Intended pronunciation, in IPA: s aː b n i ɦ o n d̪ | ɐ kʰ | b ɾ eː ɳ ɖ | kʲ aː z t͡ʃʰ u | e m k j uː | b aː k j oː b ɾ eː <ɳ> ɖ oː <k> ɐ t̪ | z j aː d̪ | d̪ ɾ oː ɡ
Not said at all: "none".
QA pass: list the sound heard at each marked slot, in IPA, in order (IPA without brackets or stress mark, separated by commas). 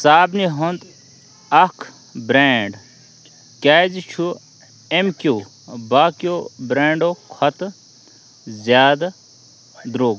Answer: ɳ, kʰ